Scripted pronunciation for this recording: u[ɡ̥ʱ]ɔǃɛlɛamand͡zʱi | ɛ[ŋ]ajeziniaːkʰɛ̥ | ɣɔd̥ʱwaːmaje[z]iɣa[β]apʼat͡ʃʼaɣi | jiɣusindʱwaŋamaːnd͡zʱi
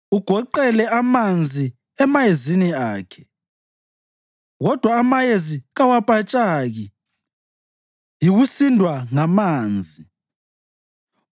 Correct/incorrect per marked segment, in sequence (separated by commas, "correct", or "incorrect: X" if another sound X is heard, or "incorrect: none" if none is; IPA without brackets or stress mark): correct, incorrect: m, correct, incorrect: w